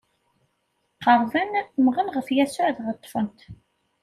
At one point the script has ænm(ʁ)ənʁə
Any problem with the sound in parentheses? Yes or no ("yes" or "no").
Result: no